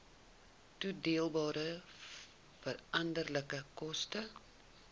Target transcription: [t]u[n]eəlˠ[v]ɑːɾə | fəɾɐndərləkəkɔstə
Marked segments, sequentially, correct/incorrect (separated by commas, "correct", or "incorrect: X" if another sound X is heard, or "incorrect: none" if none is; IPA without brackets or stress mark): correct, incorrect: d, incorrect: b